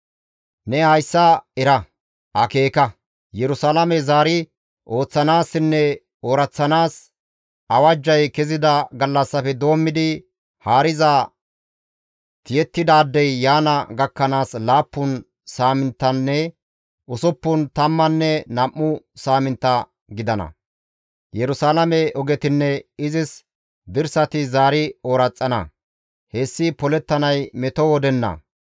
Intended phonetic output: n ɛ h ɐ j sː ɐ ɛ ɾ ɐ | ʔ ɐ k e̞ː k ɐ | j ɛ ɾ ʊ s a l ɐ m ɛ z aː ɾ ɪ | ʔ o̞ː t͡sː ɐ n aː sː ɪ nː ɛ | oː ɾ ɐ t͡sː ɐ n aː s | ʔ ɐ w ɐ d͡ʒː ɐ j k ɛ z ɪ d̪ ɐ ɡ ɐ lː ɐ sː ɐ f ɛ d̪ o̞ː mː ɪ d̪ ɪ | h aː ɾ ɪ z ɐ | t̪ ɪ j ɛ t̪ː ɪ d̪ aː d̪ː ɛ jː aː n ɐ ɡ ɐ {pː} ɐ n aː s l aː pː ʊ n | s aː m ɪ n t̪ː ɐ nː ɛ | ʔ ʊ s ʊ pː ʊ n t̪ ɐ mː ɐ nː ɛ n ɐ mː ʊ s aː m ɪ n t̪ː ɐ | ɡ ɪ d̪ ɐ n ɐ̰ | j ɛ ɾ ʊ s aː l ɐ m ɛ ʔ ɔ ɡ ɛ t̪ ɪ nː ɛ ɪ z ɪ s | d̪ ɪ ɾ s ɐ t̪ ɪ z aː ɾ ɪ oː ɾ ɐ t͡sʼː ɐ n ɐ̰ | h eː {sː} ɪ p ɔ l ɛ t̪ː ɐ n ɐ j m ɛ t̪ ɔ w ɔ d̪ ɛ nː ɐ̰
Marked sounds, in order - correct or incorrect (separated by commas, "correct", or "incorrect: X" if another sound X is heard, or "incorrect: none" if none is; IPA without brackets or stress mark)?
incorrect: kː, correct